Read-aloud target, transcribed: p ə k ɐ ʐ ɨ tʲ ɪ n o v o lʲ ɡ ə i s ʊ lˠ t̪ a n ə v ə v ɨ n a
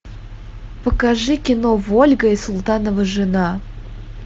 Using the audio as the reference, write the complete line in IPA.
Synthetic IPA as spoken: p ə k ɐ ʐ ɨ kʲ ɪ n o v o lʲ ɡ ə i s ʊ lˠ t̪ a n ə v ə ʐ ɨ n a